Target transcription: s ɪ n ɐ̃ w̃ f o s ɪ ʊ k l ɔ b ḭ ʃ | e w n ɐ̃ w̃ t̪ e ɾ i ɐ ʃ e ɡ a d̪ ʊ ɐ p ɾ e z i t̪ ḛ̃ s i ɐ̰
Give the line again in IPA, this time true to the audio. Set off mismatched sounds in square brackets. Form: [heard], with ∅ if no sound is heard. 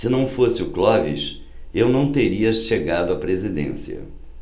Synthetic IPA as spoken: s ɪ n ɐ̃ w̃ f o s ɪ ʊ k l ɔ [v] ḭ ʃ | e w n ɐ̃ w̃ t̪ e ɾ i ɐ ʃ e ɡ a d̪ ʊ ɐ p ɾ e z i [d̪] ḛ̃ s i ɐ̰